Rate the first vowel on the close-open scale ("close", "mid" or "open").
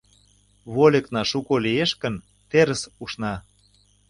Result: mid